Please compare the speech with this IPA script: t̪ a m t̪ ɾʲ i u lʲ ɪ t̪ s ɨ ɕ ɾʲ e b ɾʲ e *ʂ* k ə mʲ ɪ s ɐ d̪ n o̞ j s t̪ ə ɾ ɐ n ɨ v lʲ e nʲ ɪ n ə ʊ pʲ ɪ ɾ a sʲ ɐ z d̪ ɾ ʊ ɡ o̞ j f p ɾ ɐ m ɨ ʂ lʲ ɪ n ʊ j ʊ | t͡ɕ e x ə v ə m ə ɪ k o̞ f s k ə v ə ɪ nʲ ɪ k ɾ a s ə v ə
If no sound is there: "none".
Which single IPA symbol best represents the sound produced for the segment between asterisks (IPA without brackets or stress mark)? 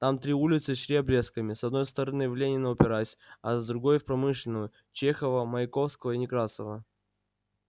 s